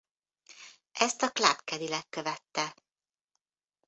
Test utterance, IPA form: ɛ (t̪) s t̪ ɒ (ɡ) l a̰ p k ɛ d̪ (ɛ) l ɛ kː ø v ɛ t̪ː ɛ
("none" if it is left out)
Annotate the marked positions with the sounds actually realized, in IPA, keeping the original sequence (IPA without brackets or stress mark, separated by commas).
none, k, i